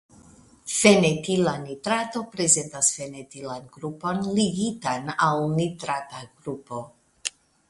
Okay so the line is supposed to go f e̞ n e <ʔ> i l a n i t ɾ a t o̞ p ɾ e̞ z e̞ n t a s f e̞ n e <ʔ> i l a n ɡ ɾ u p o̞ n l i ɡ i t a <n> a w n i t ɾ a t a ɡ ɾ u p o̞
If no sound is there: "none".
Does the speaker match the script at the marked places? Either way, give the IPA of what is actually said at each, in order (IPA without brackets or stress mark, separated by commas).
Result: t, t, n